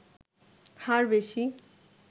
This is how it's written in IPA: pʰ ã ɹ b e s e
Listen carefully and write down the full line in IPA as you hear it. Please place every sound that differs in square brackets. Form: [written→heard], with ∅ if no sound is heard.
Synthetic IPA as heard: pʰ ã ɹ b e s [e→i]